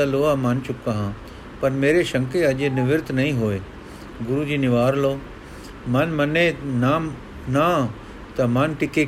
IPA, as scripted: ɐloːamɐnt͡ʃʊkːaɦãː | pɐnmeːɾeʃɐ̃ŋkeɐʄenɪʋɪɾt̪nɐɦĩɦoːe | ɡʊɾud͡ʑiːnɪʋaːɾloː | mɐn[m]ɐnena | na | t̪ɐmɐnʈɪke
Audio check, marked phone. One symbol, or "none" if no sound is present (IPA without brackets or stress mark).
m